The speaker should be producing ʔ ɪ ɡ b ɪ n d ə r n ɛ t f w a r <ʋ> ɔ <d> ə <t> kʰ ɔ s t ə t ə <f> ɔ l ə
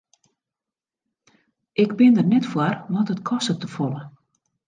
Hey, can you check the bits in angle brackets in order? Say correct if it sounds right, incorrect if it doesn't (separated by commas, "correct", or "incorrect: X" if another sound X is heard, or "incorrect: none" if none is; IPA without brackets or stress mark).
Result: correct, incorrect: t, correct, correct